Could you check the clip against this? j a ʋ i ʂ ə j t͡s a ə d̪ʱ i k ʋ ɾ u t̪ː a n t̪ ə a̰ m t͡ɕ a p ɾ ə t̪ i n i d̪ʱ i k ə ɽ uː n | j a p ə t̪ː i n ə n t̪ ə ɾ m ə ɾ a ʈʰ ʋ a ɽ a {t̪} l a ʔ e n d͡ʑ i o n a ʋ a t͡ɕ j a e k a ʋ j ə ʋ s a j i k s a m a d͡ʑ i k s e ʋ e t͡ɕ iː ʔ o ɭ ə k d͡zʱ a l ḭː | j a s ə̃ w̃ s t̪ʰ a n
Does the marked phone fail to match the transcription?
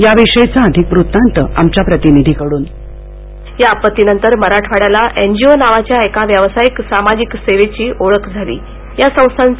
yes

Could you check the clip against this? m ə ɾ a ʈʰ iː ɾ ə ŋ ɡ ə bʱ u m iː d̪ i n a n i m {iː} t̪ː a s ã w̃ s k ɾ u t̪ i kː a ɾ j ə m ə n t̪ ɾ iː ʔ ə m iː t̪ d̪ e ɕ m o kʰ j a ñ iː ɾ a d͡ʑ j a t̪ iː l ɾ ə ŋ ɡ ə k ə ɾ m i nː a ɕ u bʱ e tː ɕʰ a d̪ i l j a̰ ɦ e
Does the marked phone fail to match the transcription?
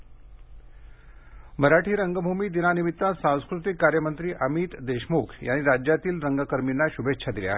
yes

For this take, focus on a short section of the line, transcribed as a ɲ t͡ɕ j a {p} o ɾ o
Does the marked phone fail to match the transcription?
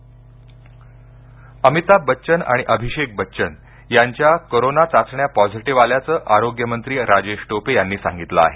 yes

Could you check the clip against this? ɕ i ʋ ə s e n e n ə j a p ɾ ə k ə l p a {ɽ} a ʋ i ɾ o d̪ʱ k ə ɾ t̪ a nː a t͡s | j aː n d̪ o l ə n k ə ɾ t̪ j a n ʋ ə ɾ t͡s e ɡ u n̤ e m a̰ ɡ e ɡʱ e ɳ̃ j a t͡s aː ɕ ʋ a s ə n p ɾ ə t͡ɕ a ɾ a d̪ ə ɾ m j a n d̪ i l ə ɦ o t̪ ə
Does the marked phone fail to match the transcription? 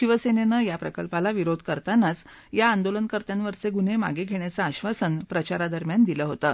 yes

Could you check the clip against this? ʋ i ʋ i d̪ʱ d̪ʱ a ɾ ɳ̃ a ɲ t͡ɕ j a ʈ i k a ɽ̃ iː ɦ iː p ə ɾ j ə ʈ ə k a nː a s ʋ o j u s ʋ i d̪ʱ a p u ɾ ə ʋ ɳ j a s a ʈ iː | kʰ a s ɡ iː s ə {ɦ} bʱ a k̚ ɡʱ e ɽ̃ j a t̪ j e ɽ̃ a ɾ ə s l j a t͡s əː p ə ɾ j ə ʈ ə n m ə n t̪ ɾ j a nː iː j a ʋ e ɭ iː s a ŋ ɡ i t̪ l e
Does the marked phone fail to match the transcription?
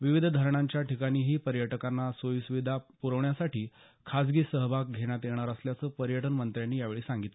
no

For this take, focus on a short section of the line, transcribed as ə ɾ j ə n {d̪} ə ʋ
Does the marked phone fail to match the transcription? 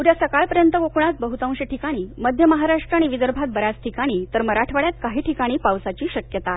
yes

